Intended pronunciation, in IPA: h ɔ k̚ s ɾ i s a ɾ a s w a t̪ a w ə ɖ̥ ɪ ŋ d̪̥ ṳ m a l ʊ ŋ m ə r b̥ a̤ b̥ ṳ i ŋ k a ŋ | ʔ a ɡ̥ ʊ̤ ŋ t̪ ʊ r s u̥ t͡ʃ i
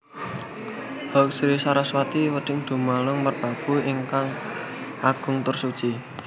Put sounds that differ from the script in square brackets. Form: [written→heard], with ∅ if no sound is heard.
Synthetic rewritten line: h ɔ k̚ s ɾ i s a ɾ a s w a t̪ [a→i] w ə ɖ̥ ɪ ŋ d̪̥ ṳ m a l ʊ ŋ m ə r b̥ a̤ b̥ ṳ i ŋ k a ŋ | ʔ a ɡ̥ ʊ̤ ŋ t̪ ʊ r s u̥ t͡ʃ i

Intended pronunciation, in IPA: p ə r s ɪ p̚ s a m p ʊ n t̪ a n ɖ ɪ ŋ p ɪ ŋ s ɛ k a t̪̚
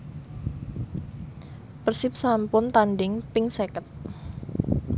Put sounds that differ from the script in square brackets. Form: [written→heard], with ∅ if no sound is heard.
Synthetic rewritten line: p ə r s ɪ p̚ s a m p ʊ n t̪ a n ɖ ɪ ŋ p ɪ ŋ s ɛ k [a→ə] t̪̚

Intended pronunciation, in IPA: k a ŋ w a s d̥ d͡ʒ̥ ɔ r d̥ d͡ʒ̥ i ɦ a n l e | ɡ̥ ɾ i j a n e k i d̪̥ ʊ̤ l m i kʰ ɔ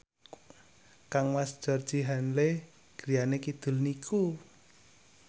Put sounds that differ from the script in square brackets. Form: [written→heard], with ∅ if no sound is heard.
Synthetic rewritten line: k a ŋ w a s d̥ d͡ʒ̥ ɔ r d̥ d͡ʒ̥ i ɦ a n l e | ɡ̥ ɾ i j a n e k i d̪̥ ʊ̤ l [m→n] i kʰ [ɔ→u]

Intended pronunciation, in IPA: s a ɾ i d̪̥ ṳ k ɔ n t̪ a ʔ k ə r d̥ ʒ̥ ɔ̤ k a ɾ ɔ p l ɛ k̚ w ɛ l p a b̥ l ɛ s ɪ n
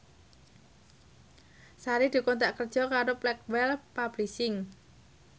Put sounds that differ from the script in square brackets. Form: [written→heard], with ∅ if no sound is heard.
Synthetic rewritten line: s a ɾ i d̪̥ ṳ k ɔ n t̪ a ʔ k ə r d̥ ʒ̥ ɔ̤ k a ɾ [ɔ→o] p l ɛ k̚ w ɛ l p a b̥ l [ɛ→i] s ɪ [n→ŋ]

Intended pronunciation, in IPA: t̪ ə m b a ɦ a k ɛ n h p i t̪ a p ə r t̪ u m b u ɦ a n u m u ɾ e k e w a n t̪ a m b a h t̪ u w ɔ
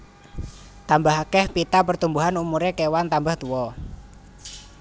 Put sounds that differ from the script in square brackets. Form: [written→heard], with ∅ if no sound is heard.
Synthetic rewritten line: t̪ [ə→a] m b a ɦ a k ɛ [n→∅] h p i t̪ a p ə r t̪ u m b u ɦ a n u m u ɾ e k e w a n t̪ a m b a h t̪ u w ɔ

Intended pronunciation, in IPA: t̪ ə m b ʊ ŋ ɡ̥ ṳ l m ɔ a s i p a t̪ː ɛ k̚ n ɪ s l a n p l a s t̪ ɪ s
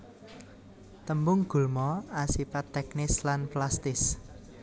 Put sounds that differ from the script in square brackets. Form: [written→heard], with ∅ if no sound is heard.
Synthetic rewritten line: t̪ ə m b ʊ ŋ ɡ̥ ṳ l m ɔ a s i p a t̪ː ɛ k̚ n ɪ s l a n p l a s t̪ ɪ s

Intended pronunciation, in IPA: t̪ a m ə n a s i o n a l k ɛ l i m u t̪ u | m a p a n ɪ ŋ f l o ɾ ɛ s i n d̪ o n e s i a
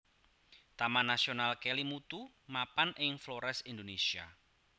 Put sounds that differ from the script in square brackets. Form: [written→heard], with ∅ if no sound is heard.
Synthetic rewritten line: t̪ a m [ə→a] n a s i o n a l k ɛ l i m u t̪ u | m a p a n ɪ ŋ f l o ɾ ɛ s i n d̪ o n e s i a

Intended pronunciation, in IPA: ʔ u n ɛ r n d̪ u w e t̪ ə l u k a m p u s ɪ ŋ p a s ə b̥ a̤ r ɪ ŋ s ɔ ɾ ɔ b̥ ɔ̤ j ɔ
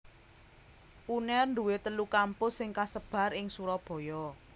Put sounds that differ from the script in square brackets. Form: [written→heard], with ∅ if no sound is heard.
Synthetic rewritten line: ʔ u n ɛ r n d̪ u w e t̪ ə l u k a m p [u→ʊ] s ɪ ŋ [p→k] a s ə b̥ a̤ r ɪ ŋ s [ɔ→u] ɾ ɔ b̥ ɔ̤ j ɔ

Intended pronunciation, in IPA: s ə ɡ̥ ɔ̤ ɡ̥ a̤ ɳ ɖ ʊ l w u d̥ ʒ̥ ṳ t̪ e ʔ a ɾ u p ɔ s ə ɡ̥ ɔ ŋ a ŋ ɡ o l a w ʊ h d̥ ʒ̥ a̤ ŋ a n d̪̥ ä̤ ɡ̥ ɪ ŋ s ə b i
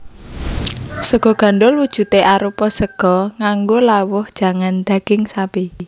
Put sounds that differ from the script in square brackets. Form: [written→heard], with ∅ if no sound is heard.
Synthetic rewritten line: s ə ɡ̥ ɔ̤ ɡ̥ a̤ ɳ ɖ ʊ l w u d̥ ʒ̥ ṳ t̪ e ʔ a ɾ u p ɔ s ə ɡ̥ ɔ ŋ a ŋ ɡ o l a w ʊ h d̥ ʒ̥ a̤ ŋ a n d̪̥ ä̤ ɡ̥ ɪ ŋ s [ə→a] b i

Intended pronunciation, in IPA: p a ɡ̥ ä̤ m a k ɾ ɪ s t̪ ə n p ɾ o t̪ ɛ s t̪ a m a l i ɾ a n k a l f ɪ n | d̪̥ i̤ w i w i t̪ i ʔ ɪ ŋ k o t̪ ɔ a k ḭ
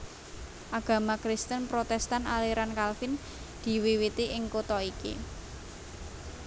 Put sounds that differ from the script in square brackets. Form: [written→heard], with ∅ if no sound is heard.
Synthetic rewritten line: [p→ʔ] a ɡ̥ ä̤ m a k ɾ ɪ s t̪ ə n p ɾ o t̪ ɛ s t̪ a [m→n] a l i ɾ a n k a l f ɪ n | d̪̥ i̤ w i w i t̪ i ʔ ɪ ŋ k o t̪ ɔ [a→i] k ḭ

